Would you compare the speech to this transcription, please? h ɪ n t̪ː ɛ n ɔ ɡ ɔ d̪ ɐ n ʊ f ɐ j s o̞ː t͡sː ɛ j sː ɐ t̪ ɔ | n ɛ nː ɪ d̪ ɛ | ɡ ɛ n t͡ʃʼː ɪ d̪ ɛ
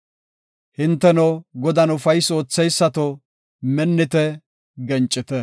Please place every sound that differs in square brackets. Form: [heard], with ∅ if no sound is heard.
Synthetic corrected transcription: h ɪ n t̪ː ɛ n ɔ ɡ ɔ d̪ ɐ n ʊ f ɐ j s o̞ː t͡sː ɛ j sː ɐ t̪ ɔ | [m] ɛ nː ɪ [t̪] ɛ | ɡ ɛ n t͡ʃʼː ɪ [t̪] ɛ